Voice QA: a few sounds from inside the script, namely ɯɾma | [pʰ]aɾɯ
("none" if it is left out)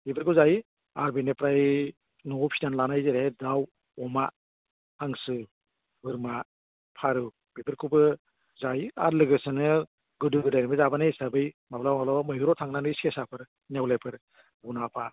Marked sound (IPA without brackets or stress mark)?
pʰ